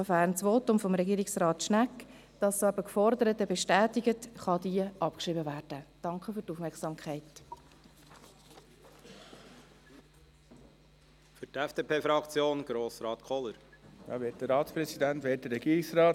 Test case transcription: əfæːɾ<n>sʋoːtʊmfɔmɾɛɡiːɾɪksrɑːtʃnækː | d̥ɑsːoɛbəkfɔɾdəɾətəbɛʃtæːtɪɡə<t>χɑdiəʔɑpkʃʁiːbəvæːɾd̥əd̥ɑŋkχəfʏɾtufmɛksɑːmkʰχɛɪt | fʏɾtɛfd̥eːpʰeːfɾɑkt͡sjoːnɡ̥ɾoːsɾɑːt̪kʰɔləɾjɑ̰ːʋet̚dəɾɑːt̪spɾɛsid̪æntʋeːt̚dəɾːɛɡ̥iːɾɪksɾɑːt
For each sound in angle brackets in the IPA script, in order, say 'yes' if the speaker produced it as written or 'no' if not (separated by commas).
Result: yes, yes